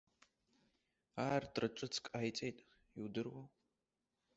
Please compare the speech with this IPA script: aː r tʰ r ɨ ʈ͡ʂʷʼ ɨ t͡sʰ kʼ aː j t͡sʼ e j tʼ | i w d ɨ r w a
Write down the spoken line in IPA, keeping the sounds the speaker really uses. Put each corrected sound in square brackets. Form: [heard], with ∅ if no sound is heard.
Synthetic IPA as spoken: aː r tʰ r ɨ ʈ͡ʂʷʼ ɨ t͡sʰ kʼ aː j t͡sʼ e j tʼ | i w d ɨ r w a